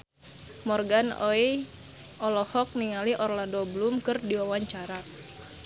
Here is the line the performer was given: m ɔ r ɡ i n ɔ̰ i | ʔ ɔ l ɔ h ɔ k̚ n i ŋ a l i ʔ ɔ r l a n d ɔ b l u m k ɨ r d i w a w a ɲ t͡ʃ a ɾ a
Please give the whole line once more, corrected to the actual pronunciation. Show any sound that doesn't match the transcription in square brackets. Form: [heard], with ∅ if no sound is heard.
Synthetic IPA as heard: m ɔ r ɡ [a] n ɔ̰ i | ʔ ɔ l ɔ h ɔ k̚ n i ŋ a l i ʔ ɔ r l a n d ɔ b l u m k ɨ r d i w a w a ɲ t͡ʃ a ɾ a